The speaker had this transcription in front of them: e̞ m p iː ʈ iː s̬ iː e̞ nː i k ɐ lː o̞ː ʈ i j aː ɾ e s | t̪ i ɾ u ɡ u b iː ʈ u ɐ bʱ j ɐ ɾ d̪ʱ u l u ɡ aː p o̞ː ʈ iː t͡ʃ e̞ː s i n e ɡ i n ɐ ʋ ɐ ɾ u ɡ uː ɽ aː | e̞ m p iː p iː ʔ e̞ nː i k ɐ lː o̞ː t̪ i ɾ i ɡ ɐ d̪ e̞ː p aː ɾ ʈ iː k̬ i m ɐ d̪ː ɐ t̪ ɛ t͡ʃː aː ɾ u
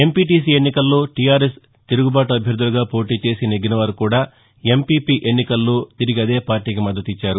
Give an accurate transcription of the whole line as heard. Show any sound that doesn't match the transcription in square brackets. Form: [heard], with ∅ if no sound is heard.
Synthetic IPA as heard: e̞ m p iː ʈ iː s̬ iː e̞ nː i k ɐ lː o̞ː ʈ i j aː ɾ e s | t̪ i ɾ u ɡ u b [aː] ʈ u ɐ bʱ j ɐ ɾ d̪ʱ u l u ɡ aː p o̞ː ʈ iː t͡ʃ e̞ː s i n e ɡ i n ɐ ʋ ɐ ɾ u [k] uː ɽ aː | e̞ m p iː p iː ʔ e̞ nː i k ɐ lː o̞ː t̪ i ɾ i ɡ ɐ d̪ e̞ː p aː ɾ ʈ iː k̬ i m ɐ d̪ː ɐ t̪ [i] t͡ʃː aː ɾ u